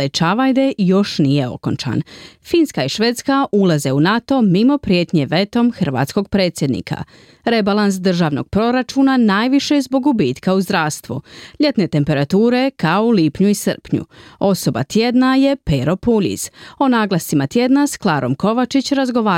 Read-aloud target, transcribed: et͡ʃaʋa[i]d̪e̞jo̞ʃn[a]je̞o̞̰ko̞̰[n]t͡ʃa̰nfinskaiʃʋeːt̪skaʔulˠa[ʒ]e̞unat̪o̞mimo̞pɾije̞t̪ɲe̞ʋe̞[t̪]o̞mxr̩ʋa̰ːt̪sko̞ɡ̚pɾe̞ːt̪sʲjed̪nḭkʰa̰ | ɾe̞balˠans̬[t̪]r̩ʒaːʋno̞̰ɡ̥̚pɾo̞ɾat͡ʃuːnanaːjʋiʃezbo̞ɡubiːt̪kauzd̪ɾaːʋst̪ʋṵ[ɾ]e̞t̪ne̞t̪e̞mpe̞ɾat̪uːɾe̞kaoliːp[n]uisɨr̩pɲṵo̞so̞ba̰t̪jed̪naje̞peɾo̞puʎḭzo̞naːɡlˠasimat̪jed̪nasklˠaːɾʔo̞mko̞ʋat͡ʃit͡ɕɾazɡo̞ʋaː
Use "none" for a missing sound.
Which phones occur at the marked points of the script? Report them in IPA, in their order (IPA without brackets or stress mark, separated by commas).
j, i, n, z, t̪, d̪, ʎ, ɲ